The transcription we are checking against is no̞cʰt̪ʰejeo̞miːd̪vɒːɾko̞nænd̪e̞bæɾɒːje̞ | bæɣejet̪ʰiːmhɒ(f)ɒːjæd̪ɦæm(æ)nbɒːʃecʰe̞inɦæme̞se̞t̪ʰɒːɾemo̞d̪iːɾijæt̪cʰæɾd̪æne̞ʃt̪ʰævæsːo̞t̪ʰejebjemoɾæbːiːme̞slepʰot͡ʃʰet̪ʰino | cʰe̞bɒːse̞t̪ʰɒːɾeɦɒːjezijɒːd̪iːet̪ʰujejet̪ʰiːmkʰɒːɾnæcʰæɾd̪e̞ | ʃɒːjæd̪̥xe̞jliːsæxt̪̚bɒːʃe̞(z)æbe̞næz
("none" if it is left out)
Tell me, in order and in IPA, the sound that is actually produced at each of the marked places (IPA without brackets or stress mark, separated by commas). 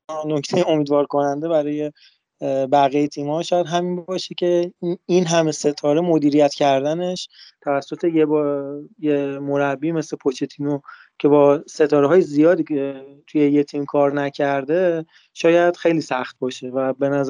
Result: ʃ, i, v